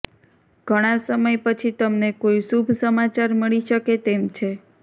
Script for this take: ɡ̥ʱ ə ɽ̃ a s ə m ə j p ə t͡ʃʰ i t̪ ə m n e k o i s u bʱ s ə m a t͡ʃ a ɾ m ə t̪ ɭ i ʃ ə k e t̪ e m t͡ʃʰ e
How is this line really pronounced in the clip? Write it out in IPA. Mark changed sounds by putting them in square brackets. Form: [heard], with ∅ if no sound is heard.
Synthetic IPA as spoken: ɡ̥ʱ ə ɽ̃ a s ə m ə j p ə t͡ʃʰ i t̪ ə m n e k o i s u bʱ s ə m a t͡ʃ a ɾ m ə [∅] ɭ i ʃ ə k e t̪ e m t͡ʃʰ e